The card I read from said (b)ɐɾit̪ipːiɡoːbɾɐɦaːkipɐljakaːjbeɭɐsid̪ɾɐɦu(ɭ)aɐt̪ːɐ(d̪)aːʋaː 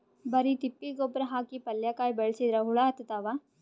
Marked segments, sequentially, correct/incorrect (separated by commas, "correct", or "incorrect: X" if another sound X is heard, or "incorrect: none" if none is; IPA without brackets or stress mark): correct, correct, incorrect: t̪